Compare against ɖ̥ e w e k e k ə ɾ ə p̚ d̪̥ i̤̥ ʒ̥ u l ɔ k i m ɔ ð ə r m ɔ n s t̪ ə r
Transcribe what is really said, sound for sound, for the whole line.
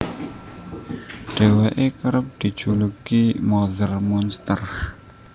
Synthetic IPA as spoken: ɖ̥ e w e ʔ e k ə ɾ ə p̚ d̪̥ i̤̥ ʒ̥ u l u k i m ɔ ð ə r m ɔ n s t̪ ə r